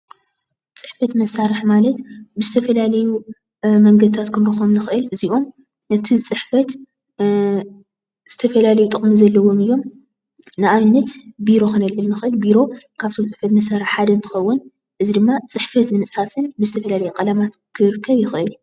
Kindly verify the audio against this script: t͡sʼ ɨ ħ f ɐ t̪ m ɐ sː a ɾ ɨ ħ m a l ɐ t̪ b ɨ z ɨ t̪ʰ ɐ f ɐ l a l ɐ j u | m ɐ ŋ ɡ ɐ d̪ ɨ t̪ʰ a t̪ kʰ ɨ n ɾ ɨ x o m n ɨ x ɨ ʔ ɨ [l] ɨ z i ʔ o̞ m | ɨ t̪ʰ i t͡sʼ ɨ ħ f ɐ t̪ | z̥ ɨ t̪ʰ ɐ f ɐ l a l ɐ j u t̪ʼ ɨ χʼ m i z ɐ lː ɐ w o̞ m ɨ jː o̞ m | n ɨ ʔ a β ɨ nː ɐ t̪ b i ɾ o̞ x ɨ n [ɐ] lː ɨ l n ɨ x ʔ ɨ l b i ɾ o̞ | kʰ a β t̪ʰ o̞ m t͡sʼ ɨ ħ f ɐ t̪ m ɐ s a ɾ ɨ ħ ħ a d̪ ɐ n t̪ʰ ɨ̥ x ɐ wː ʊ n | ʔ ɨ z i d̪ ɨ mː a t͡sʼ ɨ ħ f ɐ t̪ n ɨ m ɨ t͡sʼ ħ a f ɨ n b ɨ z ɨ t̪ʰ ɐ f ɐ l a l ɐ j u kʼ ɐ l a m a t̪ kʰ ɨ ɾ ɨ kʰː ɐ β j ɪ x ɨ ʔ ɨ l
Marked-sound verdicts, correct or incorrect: correct, correct

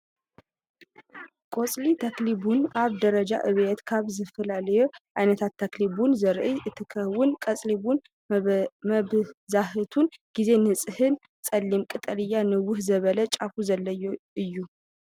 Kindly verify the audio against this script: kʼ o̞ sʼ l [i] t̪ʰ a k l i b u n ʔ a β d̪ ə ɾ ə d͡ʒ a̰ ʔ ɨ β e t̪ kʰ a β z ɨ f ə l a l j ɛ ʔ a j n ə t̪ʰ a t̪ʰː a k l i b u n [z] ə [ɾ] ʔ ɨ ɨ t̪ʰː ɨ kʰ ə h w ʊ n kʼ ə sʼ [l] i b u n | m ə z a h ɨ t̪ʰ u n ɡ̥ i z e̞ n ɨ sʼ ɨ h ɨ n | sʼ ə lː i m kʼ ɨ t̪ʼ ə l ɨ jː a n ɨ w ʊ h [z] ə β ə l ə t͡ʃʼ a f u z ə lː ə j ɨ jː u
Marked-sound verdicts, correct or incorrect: correct, correct, correct, correct, correct

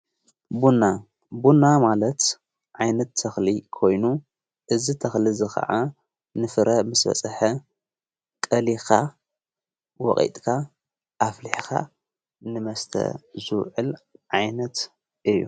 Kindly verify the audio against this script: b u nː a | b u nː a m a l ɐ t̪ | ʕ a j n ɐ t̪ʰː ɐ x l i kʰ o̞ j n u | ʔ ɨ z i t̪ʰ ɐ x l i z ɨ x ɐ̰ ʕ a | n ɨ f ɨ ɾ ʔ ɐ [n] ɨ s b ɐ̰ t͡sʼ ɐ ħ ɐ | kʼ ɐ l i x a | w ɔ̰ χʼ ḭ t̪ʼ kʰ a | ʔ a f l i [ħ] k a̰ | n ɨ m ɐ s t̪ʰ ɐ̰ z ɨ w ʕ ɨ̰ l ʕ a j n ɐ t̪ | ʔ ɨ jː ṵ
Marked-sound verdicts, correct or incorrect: incorrect, correct

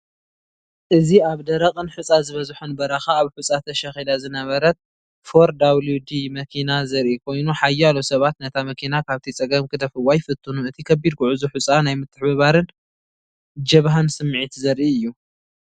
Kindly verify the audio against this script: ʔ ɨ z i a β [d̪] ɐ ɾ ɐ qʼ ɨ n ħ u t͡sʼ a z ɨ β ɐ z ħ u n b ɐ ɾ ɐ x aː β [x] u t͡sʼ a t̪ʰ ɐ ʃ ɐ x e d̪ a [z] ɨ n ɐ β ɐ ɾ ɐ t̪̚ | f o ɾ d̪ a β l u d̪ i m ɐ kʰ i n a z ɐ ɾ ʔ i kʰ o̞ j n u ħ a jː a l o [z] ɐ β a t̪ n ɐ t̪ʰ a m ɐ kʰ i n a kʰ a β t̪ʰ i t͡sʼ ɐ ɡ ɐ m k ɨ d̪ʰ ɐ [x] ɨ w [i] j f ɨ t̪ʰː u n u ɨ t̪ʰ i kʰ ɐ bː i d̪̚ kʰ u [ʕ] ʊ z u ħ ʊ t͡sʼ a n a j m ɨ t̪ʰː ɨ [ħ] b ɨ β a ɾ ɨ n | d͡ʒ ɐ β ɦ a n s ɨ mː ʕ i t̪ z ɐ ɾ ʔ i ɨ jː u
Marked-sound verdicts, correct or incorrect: correct, incorrect, correct, incorrect, incorrect, incorrect, correct, correct

